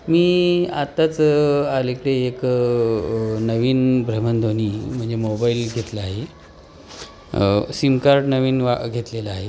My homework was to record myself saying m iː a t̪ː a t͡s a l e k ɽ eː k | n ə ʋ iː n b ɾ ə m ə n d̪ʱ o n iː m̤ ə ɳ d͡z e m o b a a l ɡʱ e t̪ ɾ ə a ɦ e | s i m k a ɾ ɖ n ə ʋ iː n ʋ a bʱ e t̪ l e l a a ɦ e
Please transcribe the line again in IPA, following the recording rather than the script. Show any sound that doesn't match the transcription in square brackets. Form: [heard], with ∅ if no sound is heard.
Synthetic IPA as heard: m iː a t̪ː a t͡s a l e k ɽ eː k | n ə ʋ iː n b ɾ ə m ə n d̪ʱ o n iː m̤ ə ɳ d͡z e m o b a [i] l ɡʱ e t̪ [l] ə a ɦ e | s i m k a ɾ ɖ n ə ʋ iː n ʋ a [ɡʱ] e t̪ l e l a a ɦ e